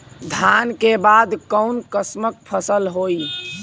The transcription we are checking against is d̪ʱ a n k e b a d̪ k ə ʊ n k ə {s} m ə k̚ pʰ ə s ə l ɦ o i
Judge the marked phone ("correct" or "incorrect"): correct